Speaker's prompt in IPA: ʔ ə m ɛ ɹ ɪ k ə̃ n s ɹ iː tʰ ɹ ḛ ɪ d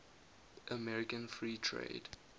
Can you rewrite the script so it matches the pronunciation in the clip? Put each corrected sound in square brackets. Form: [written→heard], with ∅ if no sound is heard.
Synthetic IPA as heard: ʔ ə m ɛ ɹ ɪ k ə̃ n [s→f] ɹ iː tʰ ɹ ḛ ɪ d